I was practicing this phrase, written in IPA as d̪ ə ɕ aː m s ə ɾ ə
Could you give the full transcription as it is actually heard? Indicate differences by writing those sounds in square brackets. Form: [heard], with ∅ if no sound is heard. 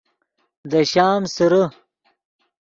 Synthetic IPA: d̪ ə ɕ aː m s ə ɾ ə

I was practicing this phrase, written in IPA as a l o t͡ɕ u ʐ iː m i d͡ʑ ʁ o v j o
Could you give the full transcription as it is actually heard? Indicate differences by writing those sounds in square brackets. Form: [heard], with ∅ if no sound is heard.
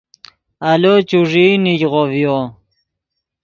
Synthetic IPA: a l o t͡ɕ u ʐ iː [n] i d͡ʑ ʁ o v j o

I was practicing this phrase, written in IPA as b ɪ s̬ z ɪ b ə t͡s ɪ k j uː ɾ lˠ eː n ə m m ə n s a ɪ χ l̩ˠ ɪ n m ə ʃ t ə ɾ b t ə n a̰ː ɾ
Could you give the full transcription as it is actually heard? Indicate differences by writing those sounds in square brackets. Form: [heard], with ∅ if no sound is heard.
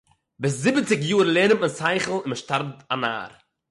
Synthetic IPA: b ɪ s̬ z ɪ b ə t͡s ɪ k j uː ɾ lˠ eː n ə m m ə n s a ɪ χ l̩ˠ ɪ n m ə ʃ t [a] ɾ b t [a] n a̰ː ɾ

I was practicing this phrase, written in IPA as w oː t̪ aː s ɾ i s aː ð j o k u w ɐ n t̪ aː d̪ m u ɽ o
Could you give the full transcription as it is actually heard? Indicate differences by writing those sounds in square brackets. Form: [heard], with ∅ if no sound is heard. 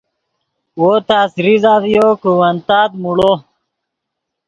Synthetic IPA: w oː t̪ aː s ɾ i [z] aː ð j o k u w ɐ n t̪ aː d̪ m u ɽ o

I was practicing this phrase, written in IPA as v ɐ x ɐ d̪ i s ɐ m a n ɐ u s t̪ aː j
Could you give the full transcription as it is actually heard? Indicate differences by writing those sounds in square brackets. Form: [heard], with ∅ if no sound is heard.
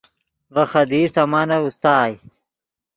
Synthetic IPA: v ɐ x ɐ d̪ i s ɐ m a n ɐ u s t̪ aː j

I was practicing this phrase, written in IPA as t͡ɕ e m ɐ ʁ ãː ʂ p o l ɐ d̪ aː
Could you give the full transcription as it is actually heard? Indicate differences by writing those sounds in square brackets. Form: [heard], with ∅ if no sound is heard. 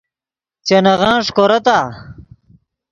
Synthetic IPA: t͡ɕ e [n] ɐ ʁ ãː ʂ [k] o [ɾ] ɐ [t̪] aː

